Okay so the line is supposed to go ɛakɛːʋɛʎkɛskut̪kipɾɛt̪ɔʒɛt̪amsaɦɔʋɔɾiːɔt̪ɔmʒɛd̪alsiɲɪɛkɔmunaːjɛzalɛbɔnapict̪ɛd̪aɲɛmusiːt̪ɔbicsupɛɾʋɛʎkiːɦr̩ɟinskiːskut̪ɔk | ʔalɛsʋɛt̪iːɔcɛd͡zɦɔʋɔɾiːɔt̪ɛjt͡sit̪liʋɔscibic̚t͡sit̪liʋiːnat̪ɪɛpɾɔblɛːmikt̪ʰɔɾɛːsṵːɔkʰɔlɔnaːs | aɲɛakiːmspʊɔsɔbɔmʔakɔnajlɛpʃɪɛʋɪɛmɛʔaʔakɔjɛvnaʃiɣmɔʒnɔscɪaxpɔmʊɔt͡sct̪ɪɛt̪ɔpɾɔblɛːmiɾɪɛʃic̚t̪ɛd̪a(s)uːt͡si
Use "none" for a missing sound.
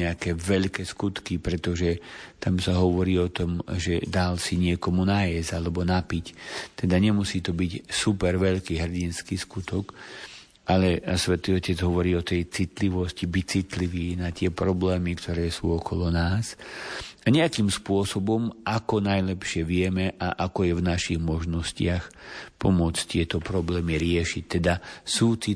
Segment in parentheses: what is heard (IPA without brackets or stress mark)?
s